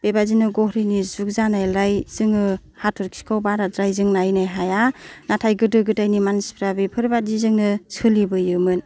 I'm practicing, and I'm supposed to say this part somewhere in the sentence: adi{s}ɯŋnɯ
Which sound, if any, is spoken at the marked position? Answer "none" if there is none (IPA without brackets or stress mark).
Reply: z